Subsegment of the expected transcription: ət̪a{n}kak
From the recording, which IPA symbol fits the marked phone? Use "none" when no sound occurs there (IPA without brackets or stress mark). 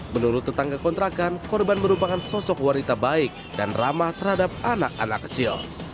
ŋ